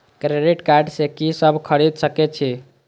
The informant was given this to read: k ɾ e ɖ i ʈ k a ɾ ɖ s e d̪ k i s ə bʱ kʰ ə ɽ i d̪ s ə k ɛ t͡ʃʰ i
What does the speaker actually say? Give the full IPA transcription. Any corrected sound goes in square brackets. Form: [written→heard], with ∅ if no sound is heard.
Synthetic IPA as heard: k ɾ e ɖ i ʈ k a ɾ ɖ s e [d̪→∅] k i s ə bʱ kʰ ə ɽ i d̪ s ə k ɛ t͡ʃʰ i